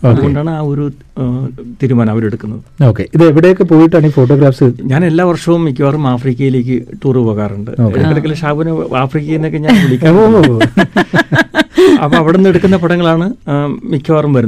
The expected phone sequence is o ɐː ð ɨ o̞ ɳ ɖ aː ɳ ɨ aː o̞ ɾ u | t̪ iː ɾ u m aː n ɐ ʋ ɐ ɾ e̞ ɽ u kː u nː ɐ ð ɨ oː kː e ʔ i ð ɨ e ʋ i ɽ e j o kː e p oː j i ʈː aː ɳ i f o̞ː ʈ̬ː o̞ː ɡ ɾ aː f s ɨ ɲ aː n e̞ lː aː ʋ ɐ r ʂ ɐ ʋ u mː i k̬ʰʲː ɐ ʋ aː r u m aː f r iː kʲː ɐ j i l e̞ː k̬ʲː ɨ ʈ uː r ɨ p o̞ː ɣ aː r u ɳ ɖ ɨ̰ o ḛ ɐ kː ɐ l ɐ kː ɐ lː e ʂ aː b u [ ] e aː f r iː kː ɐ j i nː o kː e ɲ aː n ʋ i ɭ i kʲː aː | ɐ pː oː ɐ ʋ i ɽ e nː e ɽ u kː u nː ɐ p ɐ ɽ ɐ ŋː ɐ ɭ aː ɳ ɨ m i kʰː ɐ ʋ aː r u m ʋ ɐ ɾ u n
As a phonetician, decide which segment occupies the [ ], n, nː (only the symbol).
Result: n